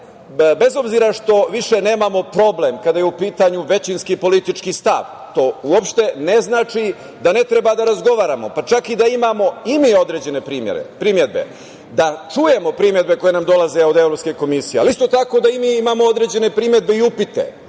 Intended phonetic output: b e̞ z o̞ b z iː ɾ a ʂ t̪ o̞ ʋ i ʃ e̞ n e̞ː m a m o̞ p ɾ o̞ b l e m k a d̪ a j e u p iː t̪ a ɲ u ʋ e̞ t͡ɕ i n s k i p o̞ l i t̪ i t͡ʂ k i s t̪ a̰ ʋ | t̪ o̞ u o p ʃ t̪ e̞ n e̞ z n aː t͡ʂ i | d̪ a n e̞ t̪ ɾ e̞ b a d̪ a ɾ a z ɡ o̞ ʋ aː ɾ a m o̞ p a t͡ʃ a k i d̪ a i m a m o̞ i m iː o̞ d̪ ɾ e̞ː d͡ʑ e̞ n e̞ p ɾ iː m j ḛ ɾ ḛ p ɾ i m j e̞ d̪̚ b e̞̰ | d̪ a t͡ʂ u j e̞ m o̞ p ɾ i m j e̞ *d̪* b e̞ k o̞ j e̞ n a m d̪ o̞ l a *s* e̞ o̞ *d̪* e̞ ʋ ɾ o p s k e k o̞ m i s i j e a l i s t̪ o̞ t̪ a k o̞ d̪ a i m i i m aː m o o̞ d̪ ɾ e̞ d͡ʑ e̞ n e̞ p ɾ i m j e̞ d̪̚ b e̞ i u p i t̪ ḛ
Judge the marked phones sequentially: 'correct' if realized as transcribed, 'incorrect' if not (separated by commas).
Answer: correct, incorrect, correct